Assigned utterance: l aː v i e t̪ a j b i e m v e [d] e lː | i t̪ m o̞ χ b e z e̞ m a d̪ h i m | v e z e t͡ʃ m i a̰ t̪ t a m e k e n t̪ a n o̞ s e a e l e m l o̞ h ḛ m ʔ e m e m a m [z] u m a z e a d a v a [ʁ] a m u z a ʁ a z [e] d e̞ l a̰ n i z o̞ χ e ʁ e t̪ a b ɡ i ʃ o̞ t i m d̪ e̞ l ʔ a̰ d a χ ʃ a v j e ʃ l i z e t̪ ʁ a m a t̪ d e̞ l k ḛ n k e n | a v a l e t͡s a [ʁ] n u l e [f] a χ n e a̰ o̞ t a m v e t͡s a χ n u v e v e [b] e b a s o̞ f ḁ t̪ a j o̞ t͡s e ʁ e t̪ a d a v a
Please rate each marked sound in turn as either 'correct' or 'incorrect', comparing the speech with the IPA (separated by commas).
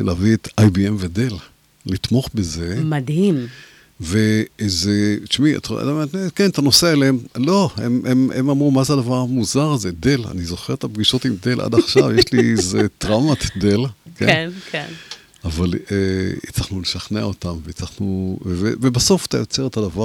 correct, incorrect, correct, correct, incorrect, incorrect, incorrect